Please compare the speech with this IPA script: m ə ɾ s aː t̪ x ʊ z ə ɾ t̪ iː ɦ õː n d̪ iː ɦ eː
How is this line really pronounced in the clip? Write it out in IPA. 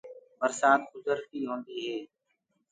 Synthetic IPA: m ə ɾ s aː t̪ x ʊ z ə ɾ t̪ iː ɦ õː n d̪ iː ɦ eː